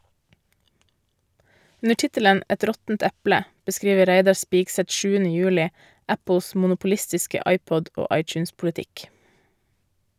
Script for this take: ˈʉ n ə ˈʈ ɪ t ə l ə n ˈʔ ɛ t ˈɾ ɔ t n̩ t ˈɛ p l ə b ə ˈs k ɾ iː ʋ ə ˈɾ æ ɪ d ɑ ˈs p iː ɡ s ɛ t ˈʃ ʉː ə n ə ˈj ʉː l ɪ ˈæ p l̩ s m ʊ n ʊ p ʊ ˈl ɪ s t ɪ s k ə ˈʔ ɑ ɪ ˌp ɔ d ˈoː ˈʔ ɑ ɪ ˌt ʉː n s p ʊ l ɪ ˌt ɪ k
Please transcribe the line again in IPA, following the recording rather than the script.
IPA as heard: ˈʉ n ə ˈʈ ɪ t ə l ə n ˈʔ ɛ t ˈɾ ɔ t n̩ t ˈɛ p l ə b ə ˈs k ɾ iː ʋ ə ˈɾ æ ɪ d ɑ ˈs p iː ɡ s ɛ t ˈʃ ʉː ə n ə ˈj ʉː l ɪ ˈæ p l̩ s m ʊ n ʊ p ʊ ˈl ɪ s t ɪ s k ə ˈʔ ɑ ɪ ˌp ɔ d ˈoː ˈʔ ɑ ɪ ˌt͡ʃ ʉː n s p ʊ l ɪ ˌt ɪ k

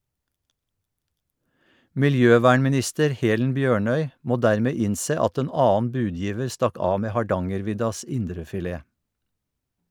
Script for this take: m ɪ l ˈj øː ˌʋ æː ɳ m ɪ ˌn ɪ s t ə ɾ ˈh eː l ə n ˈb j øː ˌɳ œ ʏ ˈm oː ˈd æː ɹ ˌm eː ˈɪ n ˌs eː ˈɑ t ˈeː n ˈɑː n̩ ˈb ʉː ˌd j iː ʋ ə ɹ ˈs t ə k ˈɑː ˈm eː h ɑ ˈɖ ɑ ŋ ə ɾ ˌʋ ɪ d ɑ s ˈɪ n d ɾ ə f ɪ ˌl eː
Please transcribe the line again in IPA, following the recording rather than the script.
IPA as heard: m ɪ l ˈj øː ˌʋ æː ɳ m ɪ ˌn ɪ s t ə ɾ ˈh eː l ə n ˈb j øː ˌɳ œ ʏ ˈm oː ˈd æː ɹ ˌm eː ˈɪ n ˌs eː ˈɑ t ˈeː n ˈɑː n̩ ˈb ʉː ˌd j iː ʋ ə ɹ ˈs t ɑ k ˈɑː ˈm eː h ɑ ˈɖ ɑ ŋ ə ɾ ˌʋ ɪ d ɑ s ˈɪ n d ɾ ə f ɪ ˌl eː

